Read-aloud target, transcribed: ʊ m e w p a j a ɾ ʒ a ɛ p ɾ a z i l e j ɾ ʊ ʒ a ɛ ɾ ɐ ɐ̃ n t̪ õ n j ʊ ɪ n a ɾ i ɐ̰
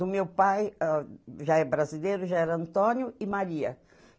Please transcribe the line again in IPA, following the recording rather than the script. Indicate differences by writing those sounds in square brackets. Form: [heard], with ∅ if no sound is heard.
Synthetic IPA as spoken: ʊ m e w p a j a [∅] ʒ a ɛ [b] ɾ a z i l e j ɾ ʊ ʒ a ɛ ɾ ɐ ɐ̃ n t̪ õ n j ʊ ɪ [m] a ɾ i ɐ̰